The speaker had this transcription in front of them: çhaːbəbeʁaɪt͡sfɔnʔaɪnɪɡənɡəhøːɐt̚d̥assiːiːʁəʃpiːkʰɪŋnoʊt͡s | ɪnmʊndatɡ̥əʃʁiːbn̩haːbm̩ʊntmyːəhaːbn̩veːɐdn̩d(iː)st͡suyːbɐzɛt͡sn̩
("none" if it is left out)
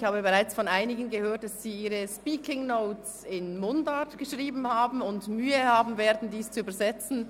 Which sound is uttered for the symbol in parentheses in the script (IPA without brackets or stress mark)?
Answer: iː